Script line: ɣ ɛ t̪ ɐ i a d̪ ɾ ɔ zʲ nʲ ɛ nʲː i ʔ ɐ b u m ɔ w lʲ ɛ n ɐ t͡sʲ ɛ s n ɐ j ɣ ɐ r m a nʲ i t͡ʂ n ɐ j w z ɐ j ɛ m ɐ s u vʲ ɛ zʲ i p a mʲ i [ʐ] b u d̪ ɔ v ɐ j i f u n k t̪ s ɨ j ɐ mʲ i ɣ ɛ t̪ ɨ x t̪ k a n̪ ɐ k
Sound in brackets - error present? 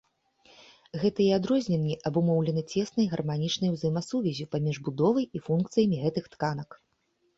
no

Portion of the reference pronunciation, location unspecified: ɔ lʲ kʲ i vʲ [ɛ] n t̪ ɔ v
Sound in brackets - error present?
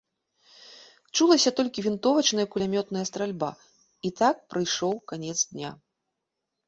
yes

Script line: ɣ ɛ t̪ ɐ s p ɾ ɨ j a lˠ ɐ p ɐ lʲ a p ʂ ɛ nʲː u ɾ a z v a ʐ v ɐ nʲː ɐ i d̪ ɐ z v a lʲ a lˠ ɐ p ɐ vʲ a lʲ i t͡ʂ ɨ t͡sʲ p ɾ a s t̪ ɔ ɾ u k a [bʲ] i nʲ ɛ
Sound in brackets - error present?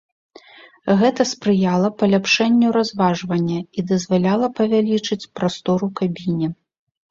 no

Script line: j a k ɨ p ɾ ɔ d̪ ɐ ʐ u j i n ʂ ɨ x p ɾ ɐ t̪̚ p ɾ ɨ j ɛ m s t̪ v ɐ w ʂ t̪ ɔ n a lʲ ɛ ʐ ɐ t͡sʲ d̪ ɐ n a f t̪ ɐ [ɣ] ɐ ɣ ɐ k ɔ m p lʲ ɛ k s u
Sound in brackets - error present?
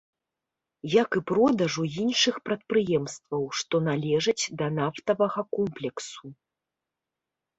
yes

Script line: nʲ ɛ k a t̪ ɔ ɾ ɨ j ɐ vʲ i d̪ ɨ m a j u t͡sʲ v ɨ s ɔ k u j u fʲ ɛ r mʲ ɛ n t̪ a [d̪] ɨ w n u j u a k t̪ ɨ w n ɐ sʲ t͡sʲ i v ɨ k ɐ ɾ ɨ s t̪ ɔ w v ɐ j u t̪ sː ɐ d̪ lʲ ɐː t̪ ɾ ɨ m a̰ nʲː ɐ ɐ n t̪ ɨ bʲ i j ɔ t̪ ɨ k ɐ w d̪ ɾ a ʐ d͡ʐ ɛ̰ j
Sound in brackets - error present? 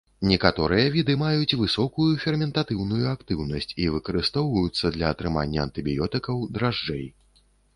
yes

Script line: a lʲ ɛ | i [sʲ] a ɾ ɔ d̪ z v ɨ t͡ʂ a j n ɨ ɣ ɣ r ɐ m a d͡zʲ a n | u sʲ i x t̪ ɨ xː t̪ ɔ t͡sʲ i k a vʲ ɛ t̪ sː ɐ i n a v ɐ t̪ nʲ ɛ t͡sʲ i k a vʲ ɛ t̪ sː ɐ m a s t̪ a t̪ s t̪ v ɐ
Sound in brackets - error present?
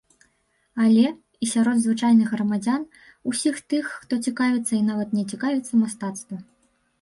no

